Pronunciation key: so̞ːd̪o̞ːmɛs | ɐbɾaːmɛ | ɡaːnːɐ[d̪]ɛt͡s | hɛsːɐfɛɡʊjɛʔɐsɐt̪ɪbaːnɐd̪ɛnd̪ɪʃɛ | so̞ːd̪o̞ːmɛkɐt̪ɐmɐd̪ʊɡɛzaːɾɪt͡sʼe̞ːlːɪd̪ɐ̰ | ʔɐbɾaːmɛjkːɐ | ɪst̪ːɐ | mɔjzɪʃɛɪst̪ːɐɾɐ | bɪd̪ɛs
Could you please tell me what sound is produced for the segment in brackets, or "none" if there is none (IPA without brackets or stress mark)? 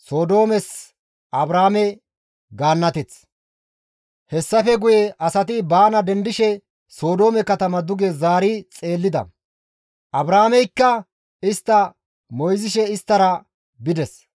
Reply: t̪